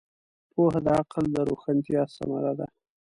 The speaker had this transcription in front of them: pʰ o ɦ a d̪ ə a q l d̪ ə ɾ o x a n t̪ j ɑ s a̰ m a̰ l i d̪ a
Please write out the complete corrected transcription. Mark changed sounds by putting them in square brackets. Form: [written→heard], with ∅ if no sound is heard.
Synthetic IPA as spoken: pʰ o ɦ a d̪ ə a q l d̪ ə ɾ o x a n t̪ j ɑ s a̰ m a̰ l [i→a] d̪ a